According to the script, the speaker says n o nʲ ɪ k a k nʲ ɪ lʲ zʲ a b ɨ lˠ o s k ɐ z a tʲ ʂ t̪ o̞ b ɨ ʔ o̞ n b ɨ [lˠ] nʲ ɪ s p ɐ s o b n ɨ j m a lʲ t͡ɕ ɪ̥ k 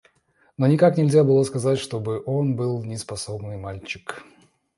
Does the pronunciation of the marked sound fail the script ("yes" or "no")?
no